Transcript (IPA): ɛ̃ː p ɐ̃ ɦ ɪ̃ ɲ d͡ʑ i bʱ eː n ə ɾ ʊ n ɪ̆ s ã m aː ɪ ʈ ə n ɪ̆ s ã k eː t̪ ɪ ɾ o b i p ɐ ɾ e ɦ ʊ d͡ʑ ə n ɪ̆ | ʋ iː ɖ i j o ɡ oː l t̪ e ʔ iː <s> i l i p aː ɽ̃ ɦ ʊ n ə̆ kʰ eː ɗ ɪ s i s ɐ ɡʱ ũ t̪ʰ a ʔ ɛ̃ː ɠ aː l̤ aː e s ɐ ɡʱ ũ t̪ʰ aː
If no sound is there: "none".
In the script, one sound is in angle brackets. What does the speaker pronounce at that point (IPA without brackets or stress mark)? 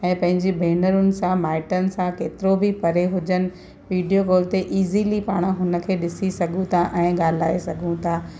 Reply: z